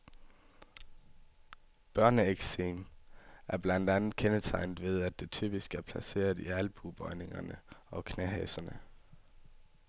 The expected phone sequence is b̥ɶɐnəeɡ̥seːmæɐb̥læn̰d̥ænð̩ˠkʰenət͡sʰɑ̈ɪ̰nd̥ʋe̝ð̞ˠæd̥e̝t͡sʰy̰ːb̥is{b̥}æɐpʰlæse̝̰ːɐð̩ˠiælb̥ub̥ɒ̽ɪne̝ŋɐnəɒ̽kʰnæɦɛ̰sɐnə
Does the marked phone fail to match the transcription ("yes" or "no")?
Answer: yes